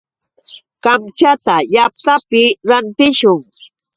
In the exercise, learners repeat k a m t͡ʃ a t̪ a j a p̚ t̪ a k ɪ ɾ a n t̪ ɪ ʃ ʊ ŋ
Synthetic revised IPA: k a m t͡ʃ a t̪ a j a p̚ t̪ a p ɪ ɾ a n t̪ ɪ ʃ ʊ ŋ